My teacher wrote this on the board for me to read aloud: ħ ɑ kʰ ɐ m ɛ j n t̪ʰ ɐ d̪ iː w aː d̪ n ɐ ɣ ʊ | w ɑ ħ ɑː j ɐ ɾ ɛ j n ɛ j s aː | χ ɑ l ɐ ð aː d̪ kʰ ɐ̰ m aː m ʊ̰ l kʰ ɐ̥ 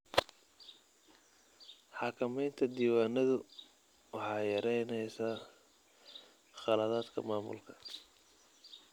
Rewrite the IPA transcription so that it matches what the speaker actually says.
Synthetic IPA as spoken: ħ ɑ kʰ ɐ m ɛ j n t̪ʰ ɐ d̪ iː w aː n ɐ ð ʊ | w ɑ ħ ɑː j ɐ ɾ ɛ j n ɛ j s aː | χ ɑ l ɐ ð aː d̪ kʰ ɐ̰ m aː m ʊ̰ l kʰ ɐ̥